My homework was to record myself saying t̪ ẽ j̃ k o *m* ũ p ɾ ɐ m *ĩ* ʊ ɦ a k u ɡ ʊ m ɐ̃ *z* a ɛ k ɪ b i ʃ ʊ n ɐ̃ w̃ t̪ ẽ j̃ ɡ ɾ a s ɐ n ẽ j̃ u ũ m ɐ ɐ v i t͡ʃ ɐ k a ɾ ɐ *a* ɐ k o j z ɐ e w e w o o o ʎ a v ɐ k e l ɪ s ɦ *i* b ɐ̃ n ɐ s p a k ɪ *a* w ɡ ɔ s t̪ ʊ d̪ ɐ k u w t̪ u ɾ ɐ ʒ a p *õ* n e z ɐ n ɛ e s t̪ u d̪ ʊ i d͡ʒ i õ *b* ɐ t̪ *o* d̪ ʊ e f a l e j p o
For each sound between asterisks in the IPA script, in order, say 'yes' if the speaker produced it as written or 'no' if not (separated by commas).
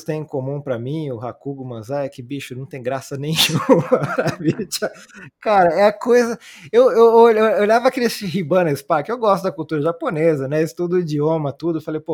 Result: yes, yes, yes, no, yes, no, no, no, no